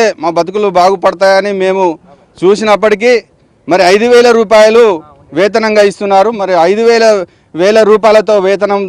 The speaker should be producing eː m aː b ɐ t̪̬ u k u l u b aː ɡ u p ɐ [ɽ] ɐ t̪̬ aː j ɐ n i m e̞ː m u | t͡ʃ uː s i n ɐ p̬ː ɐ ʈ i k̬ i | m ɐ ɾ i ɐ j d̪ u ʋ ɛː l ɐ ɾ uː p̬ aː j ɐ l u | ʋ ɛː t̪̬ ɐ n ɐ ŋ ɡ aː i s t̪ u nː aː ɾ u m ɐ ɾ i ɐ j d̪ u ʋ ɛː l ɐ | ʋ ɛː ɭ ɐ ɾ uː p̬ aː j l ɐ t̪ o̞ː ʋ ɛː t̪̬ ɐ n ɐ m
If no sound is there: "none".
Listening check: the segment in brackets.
ɽ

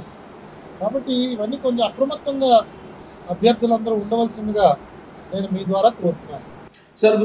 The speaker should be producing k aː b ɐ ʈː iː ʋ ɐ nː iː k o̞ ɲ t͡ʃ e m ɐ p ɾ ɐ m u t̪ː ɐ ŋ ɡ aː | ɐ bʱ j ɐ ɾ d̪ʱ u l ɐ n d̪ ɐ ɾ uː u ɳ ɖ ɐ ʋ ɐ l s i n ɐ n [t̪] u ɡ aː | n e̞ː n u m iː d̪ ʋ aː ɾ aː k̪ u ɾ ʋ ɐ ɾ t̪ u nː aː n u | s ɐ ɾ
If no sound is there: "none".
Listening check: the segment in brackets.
d̪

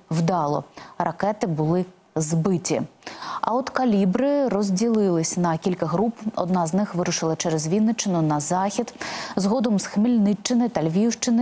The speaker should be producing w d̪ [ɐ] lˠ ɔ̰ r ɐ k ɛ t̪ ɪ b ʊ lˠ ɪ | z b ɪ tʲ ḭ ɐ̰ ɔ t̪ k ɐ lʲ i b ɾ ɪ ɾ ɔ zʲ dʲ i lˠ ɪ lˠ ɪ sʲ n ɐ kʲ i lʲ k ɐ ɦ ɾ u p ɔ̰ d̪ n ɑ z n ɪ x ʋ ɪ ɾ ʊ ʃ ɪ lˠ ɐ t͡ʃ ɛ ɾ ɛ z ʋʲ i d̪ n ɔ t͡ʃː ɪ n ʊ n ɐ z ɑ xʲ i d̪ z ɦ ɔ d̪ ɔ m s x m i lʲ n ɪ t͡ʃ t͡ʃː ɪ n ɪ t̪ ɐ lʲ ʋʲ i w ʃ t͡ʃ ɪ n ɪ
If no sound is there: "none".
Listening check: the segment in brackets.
ɑ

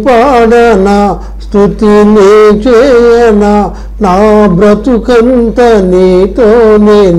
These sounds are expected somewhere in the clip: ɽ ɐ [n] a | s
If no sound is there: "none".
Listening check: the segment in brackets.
n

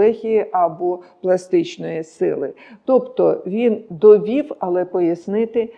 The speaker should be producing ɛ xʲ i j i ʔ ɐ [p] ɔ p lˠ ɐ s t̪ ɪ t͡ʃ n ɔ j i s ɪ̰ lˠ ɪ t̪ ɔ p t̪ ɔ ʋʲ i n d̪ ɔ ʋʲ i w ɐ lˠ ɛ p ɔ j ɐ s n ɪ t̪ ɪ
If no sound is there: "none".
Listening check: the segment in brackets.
b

